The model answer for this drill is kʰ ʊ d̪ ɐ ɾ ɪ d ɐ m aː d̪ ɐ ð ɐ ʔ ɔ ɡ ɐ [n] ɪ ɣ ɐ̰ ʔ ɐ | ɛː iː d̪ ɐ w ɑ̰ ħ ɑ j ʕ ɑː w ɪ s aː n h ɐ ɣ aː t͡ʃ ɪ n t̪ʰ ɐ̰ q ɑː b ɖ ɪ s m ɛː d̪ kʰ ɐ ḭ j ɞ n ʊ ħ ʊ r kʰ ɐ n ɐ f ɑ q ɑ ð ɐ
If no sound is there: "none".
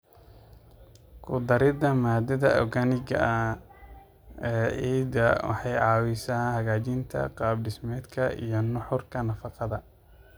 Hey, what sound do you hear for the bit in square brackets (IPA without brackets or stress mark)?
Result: n